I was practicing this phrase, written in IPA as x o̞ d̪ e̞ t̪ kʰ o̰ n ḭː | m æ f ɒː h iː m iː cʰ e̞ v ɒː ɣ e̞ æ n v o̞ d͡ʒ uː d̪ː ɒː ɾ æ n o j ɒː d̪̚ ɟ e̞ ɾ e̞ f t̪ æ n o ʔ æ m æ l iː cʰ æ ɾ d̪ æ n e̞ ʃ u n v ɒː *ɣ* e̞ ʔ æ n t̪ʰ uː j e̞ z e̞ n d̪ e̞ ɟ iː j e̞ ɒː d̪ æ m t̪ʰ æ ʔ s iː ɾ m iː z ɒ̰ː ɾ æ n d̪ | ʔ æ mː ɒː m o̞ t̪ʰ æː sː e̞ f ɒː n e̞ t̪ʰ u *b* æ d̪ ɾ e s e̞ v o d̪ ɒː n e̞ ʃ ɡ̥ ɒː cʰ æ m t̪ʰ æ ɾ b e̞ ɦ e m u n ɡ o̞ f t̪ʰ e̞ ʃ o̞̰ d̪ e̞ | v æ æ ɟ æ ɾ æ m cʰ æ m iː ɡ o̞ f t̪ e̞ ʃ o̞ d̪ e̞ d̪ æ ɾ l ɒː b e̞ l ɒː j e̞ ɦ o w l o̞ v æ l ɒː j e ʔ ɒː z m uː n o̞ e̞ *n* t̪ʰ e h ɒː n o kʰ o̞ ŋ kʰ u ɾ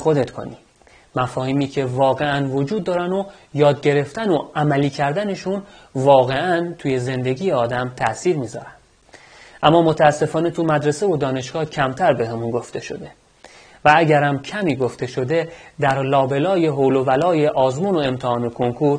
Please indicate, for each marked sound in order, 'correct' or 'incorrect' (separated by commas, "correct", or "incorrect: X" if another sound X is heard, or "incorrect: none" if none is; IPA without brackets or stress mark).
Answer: correct, incorrect: m, incorrect: m